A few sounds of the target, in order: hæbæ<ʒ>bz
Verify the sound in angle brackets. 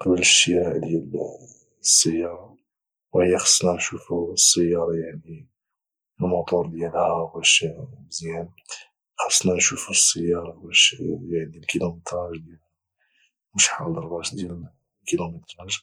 incorrect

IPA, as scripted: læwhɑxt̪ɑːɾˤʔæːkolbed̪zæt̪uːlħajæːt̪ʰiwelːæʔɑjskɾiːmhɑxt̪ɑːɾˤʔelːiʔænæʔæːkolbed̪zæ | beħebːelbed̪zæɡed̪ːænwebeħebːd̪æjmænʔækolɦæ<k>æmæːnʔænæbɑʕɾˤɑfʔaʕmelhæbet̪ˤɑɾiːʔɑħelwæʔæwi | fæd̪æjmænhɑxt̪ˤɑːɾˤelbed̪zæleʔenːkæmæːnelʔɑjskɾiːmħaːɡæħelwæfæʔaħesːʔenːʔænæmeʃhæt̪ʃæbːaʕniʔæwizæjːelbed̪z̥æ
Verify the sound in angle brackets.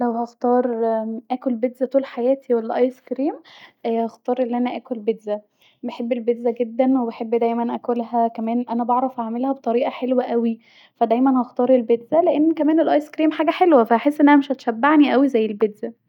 correct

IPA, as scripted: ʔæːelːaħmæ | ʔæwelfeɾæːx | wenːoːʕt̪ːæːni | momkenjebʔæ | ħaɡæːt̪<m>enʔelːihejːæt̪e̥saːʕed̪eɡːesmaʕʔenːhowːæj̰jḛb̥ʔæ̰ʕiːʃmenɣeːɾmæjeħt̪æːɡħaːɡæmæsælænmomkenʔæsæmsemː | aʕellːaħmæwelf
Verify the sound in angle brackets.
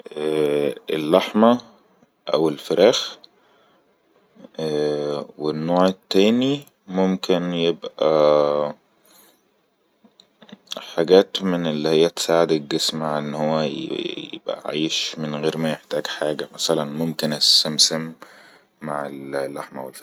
correct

